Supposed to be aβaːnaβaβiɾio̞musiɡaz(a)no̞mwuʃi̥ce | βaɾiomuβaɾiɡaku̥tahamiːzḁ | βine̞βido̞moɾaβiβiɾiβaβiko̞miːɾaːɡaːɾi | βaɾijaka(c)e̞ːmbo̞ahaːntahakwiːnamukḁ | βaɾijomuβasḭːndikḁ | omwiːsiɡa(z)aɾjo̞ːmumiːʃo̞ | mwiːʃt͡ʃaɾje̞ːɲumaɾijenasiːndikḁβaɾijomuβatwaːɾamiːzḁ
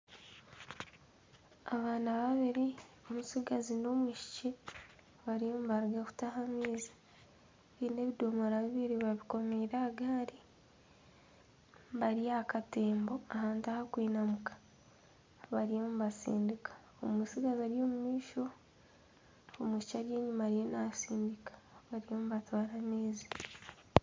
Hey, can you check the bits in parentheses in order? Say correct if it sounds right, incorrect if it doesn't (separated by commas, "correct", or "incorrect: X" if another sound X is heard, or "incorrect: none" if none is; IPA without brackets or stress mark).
incorrect: i, incorrect: t, correct